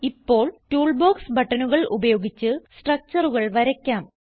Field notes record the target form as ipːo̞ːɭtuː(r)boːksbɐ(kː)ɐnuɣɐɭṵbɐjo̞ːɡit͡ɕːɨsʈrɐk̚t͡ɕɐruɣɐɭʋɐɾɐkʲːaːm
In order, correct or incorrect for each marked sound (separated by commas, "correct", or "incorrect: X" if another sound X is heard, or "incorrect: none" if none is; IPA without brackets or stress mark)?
incorrect: ɭ, incorrect: ʈː